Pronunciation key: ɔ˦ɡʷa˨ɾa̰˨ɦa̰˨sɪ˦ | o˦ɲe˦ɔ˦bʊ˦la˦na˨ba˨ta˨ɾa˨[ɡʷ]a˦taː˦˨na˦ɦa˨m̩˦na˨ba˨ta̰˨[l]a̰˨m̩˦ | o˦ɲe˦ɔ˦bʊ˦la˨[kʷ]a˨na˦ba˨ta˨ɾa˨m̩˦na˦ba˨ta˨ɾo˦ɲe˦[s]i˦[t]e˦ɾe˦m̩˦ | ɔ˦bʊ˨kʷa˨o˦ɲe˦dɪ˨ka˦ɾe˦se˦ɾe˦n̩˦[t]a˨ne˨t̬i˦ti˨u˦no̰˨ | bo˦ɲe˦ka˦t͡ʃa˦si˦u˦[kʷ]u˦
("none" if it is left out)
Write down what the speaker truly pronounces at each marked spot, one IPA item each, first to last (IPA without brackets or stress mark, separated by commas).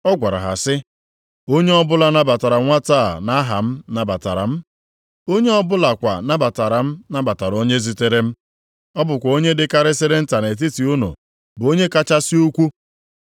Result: ŋʷ, ɾ, kʷ, z, t, t, kʷ